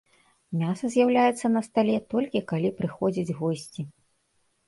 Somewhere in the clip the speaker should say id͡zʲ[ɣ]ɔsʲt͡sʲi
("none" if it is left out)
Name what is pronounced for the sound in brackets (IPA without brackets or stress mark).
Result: ɣ